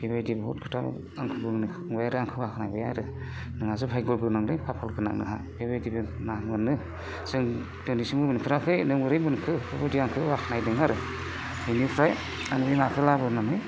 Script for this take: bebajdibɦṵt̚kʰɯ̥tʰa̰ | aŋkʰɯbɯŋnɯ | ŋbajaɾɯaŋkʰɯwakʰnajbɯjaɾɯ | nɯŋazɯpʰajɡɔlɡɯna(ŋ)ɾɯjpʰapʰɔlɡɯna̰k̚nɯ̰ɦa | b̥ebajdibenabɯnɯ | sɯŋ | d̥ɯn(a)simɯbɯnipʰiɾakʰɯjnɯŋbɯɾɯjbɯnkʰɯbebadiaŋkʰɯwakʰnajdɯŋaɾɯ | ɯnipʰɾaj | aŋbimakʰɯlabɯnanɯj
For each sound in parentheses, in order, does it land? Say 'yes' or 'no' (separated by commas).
yes, no